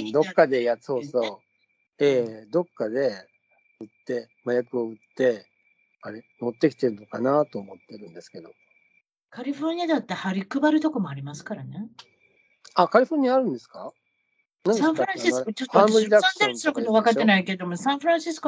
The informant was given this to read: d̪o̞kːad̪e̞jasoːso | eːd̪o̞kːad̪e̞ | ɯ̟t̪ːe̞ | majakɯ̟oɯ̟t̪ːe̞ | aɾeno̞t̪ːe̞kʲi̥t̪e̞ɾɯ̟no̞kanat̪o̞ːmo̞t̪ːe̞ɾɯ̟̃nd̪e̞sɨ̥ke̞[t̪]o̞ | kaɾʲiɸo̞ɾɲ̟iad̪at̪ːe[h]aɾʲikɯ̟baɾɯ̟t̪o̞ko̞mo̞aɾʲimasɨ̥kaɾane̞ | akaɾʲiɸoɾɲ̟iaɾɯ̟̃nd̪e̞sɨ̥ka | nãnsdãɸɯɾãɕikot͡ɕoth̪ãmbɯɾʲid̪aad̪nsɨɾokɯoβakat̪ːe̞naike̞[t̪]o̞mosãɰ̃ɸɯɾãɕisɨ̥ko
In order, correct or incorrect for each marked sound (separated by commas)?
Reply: incorrect, correct, incorrect